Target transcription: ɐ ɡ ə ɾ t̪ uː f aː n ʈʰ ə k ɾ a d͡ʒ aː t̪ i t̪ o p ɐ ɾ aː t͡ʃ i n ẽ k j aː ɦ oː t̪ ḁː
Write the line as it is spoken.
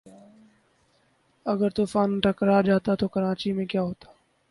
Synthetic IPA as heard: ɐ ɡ ə ɾ t̪ uː f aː n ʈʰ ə k ɾ a d͡ʒ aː t̪ a t̪ o k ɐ ɾ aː t͡ʃ i m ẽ k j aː ɦ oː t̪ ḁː